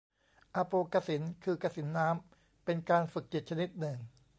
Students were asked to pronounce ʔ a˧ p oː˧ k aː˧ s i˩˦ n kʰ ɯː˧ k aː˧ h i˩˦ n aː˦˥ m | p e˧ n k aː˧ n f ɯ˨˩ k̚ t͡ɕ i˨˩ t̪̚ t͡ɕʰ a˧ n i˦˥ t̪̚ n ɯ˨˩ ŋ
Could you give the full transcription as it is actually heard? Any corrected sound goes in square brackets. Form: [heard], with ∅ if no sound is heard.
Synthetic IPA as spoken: ʔ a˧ p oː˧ k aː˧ s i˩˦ n kʰ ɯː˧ k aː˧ [s] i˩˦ [nː] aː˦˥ m | p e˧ n k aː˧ n f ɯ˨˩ k̚ t͡ɕ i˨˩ t̪̚ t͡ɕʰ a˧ n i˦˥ t̪̚ n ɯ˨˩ ŋ